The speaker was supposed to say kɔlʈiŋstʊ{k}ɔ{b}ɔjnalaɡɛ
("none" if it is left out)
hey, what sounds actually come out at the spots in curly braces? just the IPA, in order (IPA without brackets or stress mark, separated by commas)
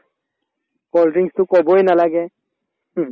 k, b